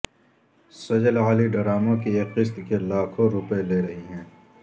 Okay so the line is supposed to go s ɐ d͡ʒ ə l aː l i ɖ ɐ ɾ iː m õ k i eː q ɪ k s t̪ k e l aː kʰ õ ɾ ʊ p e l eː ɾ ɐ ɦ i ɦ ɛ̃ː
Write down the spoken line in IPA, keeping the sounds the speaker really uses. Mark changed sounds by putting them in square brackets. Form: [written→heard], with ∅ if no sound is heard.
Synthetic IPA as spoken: s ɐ d͡ʒ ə l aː l i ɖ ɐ ɾ [iː→aː] m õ k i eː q ɪ [k→∅] s t̪ k e l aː kʰ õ ɾ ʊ p e l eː ɾ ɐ ɦ i ɦ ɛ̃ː

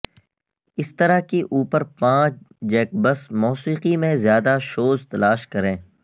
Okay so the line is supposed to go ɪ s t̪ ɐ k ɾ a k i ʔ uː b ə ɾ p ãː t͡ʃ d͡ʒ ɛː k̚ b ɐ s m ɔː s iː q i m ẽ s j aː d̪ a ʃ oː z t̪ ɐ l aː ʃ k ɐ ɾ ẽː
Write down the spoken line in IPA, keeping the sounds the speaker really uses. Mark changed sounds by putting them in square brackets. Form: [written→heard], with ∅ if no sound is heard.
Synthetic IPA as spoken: ɪ s t̪ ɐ [k→∅] ɾ a k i ʔ uː [b→p] ə ɾ p ãː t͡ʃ d͡ʒ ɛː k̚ b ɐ s m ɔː s iː q i m ẽ [s→z] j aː d̪ a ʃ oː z t̪ ɐ l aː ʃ k ɐ ɾ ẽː

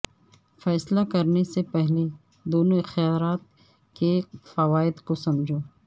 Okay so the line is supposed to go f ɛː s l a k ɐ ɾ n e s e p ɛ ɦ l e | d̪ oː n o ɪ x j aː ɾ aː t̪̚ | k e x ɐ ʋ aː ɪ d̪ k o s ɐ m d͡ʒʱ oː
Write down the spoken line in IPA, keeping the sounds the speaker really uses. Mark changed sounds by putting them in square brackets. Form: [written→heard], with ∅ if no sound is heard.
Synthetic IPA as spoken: f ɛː s l a k ɐ ɾ n e s e p ɛ ɦ l e | d̪ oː n o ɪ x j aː ɾ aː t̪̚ | k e [x→f] ɐ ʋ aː ɪ d̪ k o s ɐ m d͡ʒʱ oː

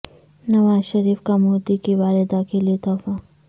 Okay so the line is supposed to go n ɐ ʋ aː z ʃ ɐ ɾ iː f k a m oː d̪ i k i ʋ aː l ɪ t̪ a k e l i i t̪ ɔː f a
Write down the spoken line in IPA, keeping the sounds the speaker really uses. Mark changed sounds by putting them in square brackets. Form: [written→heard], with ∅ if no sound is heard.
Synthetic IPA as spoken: n ɐ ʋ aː z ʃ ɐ ɾ iː f k a m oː d̪ i k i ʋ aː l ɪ [t̪→d̪] a k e l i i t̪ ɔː f a

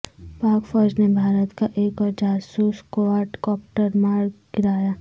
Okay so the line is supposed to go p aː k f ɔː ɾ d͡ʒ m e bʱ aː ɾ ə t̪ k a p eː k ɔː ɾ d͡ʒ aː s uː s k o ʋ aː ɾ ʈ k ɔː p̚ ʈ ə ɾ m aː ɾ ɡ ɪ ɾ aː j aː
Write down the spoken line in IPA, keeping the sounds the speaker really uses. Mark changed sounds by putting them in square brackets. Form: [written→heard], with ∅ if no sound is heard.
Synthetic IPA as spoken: p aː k f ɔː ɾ d͡ʒ [m→n] e bʱ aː ɾ ə t̪ k a [p→ʔ] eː k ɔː ɾ d͡ʒ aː s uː s k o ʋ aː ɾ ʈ k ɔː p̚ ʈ ə ɾ m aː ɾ ɡ ɪ ɾ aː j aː

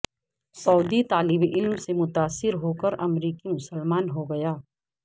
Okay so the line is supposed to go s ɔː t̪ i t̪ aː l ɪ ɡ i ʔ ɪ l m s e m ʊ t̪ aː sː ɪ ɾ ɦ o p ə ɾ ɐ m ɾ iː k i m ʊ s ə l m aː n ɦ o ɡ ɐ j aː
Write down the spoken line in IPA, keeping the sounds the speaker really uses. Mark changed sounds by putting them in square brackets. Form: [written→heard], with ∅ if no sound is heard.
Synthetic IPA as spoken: s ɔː [t̪→d̪] i t̪ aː l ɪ [ɡ→b] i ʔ ɪ l m s e m ʊ t̪ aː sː ɪ ɾ ɦ o [p→k] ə ɾ ɐ m ɾ iː k i m ʊ s ə l m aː n ɦ o ɡ ɐ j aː

